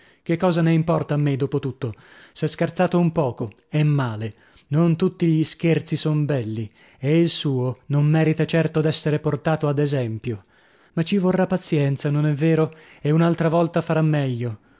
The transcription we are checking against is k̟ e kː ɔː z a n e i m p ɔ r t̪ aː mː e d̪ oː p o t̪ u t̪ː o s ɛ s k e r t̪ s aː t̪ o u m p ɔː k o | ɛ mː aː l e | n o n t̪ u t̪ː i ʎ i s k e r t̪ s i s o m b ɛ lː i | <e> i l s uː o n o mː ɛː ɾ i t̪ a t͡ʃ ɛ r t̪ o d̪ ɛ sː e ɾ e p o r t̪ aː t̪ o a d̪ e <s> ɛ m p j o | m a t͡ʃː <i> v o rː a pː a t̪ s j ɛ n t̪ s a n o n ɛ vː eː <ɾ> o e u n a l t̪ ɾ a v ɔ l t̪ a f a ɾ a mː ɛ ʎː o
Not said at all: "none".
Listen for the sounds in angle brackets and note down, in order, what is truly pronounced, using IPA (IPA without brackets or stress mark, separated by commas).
e, z, i, ɾ